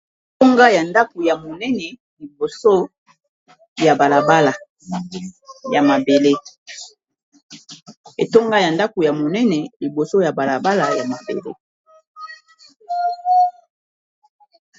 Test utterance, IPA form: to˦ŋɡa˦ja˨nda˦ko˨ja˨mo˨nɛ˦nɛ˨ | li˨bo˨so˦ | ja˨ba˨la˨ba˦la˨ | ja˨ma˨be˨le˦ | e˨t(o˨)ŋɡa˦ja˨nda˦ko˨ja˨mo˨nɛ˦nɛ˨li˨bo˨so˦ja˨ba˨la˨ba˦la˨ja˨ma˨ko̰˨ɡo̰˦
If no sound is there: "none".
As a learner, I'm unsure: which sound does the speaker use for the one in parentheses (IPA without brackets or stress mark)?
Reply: o˦